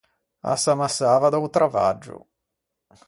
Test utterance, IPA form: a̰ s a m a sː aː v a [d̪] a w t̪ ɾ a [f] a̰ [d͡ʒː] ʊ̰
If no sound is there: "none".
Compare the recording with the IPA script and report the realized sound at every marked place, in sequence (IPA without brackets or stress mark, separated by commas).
d̪, v, d͡ʒː